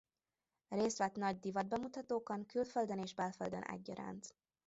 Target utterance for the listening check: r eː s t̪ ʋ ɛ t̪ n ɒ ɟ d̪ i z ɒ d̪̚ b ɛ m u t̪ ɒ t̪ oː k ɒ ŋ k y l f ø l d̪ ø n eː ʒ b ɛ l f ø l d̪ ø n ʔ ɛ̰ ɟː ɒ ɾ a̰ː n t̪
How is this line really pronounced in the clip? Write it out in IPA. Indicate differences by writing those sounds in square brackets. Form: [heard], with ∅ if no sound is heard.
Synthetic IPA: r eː s t̪ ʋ ɛ t̪ n ɒ ɟ d̪ i [v] ɒ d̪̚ b ɛ m u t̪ ɒ t̪ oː k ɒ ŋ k y l f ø l d̪ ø n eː ʒ b ɛ l f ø l d̪ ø n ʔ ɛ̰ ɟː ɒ ɾ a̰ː n t̪